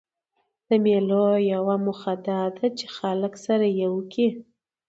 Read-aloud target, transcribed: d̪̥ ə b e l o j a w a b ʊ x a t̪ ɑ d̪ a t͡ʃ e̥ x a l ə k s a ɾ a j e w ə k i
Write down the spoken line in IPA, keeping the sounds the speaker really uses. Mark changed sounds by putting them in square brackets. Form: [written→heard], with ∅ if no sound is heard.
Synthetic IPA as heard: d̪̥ ə [b→m] e l o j a w a [b→m] ʊ x a [t̪→d̪] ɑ d̪ a t͡ʃ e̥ x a l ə k s a ɾ a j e w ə k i